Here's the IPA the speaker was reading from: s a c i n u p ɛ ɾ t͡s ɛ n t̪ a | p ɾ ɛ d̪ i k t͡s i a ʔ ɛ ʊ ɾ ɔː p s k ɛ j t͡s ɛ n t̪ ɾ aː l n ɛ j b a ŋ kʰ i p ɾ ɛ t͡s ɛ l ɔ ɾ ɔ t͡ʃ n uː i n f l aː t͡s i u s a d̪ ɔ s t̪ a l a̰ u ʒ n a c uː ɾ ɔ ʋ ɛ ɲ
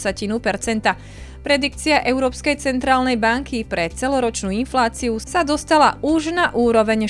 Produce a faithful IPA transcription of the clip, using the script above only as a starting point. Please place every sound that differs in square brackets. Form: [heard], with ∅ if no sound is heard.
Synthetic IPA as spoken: s a c i n u p ɛ ɾ t͡s ɛ n t̪ a | p ɾ ɛ d̪ i k t͡s i a ʔ ɛ ʊ ɾ ɔː p s k ɛ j t͡s ɛ n t̪ ɾ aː l n ɛ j b a ŋ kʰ i p ɾ ɛ t͡s ɛ l ɔ ɾ ɔ t͡ʃ n uː i n f l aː t͡s i u s a d̪ ɔ s t̪ a l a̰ u ʒ n a [ʔ] uː ɾ ɔ ʋ ɛ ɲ